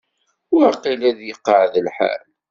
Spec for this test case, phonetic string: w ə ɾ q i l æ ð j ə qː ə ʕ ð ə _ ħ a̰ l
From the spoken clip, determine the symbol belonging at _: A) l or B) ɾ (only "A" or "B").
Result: A